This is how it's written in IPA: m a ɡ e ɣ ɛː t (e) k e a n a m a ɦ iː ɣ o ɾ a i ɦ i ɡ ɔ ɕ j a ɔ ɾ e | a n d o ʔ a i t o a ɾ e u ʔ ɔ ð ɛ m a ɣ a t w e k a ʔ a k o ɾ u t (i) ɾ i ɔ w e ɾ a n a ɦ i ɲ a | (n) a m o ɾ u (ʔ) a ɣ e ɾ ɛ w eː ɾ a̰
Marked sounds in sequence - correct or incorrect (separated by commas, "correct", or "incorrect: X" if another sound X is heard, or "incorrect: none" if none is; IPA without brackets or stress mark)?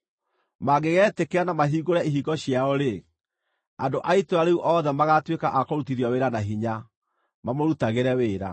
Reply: correct, correct, incorrect: m, incorrect: t